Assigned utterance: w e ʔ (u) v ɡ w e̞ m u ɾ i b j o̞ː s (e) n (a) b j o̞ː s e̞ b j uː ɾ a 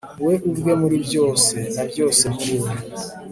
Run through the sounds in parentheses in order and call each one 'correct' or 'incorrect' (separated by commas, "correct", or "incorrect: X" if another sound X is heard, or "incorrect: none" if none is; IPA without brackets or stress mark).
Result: correct, correct, correct